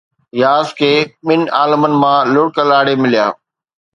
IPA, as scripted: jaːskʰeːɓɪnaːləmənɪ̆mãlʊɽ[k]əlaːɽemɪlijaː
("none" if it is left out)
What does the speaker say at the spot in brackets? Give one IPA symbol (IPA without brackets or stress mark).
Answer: k